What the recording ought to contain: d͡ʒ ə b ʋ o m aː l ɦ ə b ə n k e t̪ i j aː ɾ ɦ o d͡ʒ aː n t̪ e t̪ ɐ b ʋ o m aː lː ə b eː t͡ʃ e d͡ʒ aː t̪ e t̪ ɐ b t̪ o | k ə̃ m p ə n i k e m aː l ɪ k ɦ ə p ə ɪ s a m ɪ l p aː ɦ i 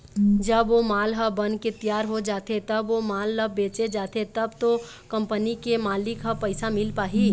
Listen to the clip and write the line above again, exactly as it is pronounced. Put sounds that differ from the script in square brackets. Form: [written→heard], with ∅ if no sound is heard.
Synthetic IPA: d͡ʒ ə b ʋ o m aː l ɦ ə b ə n k e t̪ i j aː ɾ ɦ o d͡ʒ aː [n→∅] t̪ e t̪ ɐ b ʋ o m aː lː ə b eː t͡ʃ e d͡ʒ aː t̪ e t̪ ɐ b t̪ o | k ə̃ m p ə n i k e m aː l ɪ k ɦ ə p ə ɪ s a m ɪ l p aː ɦ i